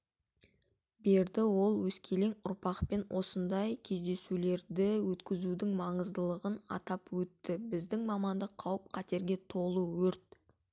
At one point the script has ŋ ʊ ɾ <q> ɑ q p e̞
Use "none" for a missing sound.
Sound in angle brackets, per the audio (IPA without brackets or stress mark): p